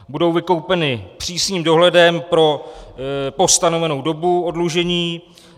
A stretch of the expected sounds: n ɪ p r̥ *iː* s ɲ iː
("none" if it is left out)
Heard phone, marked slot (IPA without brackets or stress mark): iː